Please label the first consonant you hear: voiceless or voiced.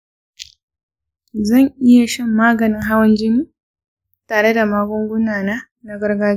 voiced